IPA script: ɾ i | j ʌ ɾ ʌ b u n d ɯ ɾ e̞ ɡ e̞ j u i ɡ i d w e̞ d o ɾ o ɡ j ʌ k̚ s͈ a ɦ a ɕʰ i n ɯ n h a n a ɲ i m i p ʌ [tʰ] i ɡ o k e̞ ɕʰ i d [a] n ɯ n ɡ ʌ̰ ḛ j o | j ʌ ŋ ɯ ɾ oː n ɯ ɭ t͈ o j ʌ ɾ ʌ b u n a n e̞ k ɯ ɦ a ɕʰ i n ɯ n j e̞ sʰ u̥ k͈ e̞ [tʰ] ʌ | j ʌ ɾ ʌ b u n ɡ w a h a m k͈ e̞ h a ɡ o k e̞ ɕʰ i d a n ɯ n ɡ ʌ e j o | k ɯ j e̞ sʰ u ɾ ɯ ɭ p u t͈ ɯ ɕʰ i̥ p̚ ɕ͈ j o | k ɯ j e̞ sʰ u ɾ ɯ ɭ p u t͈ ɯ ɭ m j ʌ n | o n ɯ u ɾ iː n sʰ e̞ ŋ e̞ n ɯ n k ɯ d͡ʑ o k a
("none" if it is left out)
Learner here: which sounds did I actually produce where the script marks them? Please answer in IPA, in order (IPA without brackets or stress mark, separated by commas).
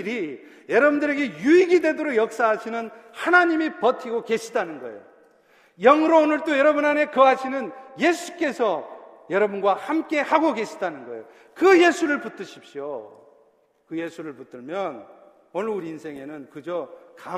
tʰ, a, sʰ